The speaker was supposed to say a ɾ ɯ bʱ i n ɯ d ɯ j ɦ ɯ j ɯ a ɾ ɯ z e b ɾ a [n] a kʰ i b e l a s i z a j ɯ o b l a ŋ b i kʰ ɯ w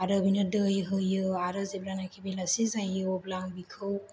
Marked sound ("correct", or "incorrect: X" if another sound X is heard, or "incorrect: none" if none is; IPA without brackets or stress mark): correct